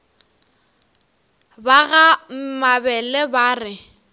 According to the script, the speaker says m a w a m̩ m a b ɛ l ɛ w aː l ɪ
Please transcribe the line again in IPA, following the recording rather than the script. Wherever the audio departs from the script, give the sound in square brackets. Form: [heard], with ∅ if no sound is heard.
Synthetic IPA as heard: [b] a [ɣ] a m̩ m a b ɛ l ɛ [b] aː [r] ɪ